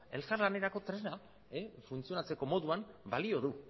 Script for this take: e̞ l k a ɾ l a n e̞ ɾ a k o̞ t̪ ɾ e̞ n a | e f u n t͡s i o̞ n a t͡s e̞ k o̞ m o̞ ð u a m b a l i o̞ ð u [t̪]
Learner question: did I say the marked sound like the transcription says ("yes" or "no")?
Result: no